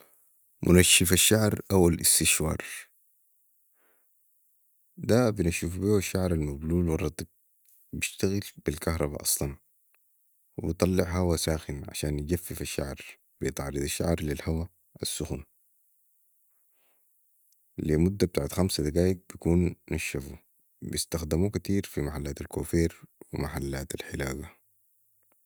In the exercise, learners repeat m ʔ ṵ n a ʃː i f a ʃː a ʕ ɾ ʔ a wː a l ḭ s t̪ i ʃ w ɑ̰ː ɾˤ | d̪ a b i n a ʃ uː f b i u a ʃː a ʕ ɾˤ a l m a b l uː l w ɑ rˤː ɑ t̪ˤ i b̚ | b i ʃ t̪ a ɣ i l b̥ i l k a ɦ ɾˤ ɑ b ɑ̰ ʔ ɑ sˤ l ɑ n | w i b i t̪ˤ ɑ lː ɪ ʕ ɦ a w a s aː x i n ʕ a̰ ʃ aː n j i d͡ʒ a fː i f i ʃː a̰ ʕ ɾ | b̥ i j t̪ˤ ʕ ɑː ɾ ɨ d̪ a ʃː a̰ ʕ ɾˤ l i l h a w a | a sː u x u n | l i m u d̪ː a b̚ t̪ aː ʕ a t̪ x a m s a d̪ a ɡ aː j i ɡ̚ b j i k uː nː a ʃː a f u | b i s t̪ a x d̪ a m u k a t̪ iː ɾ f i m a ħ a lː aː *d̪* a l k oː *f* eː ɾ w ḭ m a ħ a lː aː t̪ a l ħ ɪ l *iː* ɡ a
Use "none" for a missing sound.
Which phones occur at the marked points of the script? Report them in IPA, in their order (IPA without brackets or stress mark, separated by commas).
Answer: t̪, f, aː